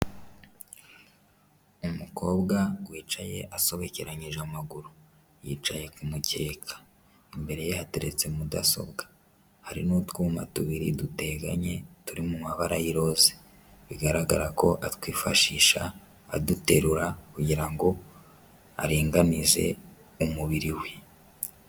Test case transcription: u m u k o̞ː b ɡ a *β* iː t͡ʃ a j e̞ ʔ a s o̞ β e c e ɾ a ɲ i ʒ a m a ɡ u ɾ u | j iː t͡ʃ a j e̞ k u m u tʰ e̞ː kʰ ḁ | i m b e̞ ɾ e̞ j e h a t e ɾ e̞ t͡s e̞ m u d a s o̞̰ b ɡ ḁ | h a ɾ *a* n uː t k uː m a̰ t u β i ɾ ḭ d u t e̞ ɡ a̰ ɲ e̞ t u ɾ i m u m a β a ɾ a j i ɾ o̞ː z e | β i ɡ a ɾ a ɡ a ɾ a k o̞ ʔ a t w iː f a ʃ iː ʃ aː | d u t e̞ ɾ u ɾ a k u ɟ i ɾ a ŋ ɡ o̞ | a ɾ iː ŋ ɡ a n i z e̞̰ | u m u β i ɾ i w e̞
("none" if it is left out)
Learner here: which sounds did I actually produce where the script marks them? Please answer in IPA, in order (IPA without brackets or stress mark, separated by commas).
w, i